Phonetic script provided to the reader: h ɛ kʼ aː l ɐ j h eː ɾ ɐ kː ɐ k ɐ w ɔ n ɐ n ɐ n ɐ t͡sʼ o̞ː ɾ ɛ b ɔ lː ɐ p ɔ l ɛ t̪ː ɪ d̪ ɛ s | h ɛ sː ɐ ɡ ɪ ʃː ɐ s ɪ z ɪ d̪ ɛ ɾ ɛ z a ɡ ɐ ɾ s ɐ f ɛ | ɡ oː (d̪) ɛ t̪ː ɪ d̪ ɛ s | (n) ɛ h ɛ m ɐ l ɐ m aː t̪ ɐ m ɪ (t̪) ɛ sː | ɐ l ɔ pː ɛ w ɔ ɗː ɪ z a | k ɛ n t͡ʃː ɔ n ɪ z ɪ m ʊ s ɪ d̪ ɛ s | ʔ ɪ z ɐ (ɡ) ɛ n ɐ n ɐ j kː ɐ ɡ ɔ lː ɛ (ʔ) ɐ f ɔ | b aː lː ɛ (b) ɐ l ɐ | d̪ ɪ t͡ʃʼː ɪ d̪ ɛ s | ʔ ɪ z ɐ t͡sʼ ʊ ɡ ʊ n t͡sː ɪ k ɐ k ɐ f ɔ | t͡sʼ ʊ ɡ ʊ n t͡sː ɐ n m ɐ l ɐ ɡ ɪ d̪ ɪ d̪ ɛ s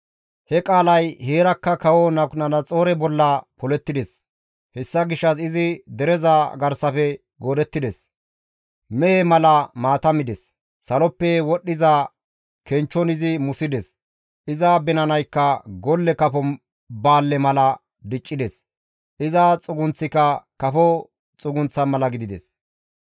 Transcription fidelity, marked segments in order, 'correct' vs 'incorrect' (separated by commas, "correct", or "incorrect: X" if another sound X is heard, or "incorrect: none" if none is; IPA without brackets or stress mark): correct, incorrect: m, incorrect: d̪, incorrect: b, incorrect: k, incorrect: m